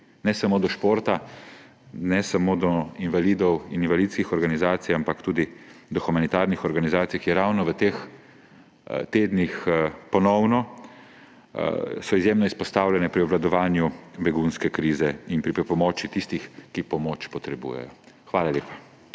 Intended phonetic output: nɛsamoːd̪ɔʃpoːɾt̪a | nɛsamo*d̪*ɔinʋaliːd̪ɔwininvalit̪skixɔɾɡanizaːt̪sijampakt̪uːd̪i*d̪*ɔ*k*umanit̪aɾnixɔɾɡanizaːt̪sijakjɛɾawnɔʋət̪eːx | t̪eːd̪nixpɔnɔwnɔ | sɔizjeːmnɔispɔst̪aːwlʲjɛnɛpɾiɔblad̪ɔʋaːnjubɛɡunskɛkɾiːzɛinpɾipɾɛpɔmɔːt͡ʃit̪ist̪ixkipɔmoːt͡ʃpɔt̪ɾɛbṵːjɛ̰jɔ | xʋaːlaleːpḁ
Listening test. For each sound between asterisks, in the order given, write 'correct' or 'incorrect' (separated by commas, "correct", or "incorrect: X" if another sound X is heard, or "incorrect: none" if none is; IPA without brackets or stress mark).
correct, correct, incorrect: x